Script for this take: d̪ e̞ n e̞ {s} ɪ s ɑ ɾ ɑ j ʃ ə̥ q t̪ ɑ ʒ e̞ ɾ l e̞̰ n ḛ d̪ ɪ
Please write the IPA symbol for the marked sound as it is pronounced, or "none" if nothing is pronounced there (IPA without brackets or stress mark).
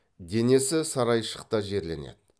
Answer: s